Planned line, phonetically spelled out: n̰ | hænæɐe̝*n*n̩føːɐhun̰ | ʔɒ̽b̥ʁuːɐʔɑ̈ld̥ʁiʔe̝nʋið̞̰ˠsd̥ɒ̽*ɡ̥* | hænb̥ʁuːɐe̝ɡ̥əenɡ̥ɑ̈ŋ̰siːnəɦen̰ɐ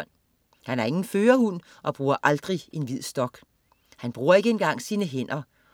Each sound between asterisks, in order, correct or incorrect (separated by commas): incorrect, correct